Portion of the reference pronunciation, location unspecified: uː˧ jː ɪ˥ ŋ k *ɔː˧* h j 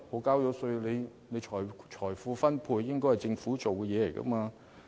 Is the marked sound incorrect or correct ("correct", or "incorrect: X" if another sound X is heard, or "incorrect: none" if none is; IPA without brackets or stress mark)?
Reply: incorrect: ɔː˥